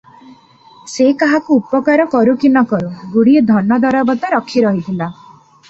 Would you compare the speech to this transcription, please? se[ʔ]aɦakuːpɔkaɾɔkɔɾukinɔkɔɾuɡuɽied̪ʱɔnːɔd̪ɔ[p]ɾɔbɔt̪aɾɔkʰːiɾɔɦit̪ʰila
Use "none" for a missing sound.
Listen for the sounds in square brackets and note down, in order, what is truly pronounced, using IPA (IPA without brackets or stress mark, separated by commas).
k, none